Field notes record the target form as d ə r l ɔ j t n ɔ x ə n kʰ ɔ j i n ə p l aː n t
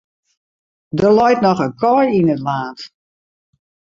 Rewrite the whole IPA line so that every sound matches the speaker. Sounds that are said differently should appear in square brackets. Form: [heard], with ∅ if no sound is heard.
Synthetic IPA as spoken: d ə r l ɔ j t n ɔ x ə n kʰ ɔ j i n ə [t] l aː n t